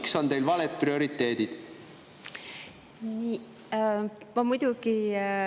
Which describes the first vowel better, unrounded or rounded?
rounded